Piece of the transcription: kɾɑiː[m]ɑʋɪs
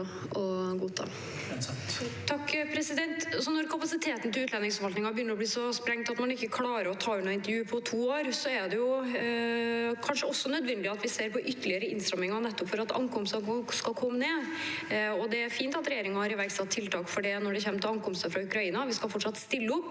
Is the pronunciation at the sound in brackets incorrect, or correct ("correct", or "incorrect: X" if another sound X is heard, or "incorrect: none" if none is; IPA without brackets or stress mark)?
incorrect: n